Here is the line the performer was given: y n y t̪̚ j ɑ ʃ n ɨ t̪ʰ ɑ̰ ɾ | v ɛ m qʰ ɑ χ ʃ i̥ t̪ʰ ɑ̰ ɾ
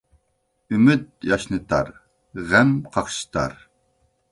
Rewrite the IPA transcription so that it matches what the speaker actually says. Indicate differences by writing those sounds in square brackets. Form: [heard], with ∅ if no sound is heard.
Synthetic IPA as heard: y [m] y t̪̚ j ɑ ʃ n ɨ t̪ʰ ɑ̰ ɾ | [ʁ] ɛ m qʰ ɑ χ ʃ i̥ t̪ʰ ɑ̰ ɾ